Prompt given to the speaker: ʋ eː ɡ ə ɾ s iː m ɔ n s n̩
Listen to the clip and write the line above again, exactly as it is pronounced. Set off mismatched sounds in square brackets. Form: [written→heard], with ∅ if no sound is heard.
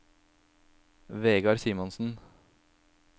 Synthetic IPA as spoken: ʋ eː ɡ [ə→ɑ] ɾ s iː m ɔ n s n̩